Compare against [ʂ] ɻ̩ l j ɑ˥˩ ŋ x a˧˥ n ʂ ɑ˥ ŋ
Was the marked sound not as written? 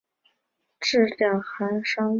yes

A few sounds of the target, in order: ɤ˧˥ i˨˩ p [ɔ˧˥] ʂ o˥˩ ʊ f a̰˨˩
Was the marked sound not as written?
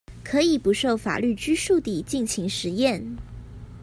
yes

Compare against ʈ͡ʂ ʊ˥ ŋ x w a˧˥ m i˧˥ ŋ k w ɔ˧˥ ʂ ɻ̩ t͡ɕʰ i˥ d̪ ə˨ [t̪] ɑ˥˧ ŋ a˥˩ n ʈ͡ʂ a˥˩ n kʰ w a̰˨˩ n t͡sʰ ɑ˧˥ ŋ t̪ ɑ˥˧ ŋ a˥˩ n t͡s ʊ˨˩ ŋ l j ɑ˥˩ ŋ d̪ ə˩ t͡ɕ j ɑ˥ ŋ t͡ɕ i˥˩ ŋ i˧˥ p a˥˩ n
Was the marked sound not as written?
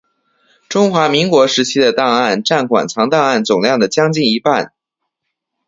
no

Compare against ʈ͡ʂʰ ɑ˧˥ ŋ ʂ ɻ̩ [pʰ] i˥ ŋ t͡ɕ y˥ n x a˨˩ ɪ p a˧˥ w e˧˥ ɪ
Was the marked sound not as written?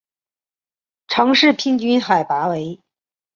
no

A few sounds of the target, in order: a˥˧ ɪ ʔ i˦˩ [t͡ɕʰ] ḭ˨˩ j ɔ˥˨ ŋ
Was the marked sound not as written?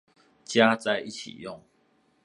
no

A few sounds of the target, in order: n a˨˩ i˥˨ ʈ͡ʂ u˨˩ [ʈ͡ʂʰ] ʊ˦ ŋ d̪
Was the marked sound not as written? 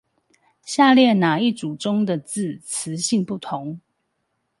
yes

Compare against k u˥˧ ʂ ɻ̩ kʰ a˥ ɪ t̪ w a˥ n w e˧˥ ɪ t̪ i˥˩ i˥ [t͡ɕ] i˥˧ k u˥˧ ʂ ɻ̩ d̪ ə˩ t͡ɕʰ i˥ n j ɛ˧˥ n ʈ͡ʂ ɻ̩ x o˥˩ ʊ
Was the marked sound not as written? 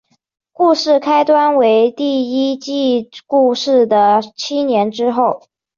no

